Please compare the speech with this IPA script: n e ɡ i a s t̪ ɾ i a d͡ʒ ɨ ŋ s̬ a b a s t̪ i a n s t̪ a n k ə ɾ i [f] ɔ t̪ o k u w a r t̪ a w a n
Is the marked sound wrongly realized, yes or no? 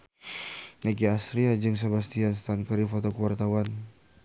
no